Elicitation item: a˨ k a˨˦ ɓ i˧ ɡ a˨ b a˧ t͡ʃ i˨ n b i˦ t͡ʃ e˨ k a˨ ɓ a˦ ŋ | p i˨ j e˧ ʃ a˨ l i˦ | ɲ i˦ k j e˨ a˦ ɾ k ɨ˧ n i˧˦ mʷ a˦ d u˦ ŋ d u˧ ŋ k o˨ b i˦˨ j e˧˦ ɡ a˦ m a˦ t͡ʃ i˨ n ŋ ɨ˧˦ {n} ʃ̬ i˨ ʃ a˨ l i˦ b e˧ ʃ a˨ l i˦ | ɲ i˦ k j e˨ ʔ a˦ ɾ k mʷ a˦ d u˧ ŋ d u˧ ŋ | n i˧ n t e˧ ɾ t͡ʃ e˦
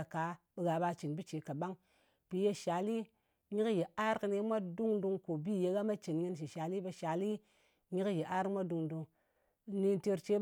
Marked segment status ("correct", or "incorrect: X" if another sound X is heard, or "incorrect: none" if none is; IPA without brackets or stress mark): correct